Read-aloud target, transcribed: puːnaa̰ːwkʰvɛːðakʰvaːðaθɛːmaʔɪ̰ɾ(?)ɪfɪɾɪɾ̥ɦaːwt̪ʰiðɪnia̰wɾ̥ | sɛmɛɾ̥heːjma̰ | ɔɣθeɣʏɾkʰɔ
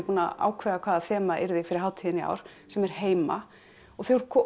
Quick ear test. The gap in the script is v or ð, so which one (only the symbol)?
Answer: ð